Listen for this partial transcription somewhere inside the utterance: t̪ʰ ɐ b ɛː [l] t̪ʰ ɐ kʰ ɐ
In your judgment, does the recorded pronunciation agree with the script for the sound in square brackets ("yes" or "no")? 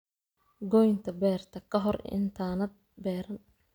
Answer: no